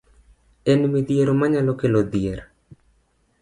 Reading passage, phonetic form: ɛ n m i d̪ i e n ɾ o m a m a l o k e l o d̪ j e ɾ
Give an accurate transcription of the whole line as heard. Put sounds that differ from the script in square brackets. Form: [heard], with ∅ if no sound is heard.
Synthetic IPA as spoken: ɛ n m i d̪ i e [∅] ɾ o m a [ɲ] a l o k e l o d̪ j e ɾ